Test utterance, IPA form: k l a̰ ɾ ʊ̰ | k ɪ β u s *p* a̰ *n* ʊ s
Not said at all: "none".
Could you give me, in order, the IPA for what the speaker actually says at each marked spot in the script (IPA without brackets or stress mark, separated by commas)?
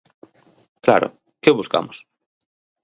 k, m